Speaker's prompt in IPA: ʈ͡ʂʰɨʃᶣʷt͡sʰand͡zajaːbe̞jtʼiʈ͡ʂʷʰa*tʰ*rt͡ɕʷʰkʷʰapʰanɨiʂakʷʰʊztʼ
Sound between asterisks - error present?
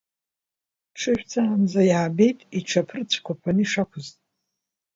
yes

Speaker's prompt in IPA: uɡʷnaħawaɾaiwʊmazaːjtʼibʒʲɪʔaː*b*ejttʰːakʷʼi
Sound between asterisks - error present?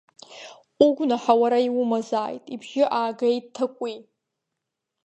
yes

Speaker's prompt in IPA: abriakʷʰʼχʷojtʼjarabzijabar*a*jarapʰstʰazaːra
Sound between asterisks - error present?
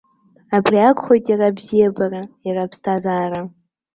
no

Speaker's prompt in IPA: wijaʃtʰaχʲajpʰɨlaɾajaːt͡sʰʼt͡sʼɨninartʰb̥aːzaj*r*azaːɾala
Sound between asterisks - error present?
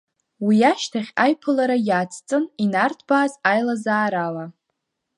yes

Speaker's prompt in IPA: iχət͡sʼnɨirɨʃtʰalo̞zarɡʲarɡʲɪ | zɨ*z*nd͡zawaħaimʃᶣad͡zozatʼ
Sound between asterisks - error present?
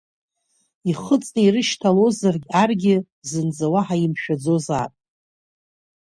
yes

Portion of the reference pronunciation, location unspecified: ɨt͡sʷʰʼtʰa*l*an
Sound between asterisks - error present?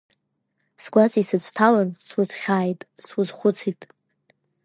no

